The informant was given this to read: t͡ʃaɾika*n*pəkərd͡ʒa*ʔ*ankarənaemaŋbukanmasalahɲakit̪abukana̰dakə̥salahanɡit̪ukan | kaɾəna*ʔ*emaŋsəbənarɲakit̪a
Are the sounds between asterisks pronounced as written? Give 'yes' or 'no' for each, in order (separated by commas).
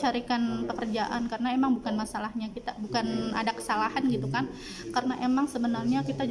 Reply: yes, yes, yes